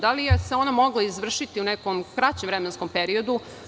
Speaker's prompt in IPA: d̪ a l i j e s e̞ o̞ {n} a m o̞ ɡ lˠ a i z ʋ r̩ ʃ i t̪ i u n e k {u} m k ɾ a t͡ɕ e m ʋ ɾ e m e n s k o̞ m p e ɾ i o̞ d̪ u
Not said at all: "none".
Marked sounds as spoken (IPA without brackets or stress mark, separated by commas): n, o